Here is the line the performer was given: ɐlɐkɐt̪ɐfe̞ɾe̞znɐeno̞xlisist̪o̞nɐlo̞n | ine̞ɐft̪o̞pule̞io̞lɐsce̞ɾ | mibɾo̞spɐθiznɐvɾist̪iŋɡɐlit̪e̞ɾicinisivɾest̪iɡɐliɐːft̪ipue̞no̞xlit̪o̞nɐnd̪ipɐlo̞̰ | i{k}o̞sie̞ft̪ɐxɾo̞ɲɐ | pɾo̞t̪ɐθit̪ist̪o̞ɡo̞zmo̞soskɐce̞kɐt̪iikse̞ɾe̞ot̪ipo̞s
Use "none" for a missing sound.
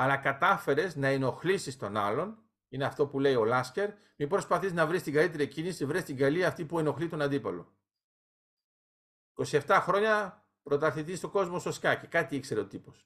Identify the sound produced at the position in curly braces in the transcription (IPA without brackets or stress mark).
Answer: k